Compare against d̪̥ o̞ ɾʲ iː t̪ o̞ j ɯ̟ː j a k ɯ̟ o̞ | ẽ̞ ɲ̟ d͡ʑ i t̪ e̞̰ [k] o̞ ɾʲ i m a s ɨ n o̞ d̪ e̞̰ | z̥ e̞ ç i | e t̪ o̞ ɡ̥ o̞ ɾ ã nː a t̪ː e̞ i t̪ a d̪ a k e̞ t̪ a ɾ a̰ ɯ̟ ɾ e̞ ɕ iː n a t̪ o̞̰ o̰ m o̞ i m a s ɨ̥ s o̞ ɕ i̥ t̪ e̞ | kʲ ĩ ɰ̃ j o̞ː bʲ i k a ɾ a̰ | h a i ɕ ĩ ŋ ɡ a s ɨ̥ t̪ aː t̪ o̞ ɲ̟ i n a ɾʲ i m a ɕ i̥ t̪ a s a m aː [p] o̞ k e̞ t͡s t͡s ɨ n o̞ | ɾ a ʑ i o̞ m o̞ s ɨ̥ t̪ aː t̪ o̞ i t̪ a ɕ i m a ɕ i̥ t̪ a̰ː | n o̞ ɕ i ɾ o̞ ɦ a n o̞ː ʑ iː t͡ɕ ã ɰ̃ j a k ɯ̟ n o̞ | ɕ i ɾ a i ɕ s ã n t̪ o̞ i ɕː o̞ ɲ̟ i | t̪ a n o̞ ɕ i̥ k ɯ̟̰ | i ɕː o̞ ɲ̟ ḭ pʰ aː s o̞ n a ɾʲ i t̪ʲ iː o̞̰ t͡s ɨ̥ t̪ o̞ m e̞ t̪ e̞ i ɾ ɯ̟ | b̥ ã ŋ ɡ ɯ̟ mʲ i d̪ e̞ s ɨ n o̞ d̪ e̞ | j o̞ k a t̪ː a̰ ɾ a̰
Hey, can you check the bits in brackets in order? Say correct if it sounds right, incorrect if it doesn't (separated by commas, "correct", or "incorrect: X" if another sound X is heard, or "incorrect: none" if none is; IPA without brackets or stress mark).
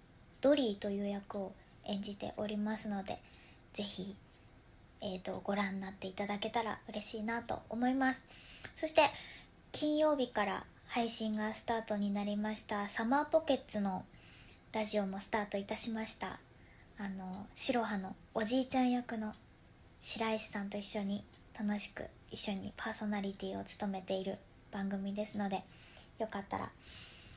incorrect: ʔ, correct